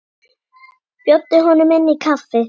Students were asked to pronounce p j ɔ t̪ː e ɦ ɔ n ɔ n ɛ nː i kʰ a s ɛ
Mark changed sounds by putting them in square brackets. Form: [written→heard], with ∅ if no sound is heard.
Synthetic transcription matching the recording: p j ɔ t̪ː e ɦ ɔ n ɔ [n→m] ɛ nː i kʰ a [s→f] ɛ